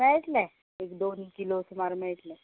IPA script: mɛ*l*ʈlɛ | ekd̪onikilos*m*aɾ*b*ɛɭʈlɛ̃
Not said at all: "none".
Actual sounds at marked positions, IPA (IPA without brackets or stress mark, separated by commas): ɭ, m, m